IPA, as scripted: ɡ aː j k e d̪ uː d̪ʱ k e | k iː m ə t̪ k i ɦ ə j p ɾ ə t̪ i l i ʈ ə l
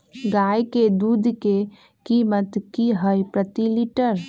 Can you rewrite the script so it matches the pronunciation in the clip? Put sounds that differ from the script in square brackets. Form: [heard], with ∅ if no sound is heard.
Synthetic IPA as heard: ɡ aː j k e d̪ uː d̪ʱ k e | k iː m ə t̪ k i ɦ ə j p ɾ ə t̪ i l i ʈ ə [ɾ]